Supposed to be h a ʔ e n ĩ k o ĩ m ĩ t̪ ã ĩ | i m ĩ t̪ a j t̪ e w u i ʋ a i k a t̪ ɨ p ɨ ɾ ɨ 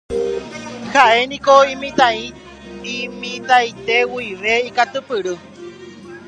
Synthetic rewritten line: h a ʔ e n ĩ k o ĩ m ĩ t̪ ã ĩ | i m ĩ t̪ a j t̪ e w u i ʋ e i k a t̪ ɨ p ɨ ɾ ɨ